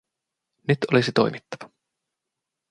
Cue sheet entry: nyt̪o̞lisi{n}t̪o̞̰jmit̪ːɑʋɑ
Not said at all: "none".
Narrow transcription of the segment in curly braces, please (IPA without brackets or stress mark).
none